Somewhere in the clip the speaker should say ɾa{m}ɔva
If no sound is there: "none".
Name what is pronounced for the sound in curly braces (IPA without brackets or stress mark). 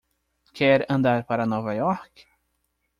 n